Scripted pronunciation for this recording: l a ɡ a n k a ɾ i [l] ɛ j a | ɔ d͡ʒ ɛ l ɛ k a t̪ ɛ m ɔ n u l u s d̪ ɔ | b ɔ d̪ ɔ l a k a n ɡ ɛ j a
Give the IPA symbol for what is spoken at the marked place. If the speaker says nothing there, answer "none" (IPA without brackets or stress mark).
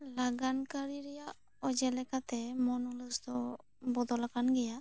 ɾ